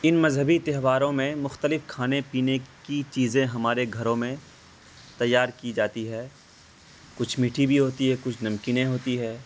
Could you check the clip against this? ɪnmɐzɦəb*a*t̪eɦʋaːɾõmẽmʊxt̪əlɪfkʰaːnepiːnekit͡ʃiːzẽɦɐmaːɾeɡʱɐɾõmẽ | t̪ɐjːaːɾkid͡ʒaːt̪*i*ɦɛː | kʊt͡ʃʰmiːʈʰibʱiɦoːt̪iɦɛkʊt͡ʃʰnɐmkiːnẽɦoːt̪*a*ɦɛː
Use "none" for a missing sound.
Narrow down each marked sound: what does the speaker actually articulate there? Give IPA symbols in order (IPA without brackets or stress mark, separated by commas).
i, i, i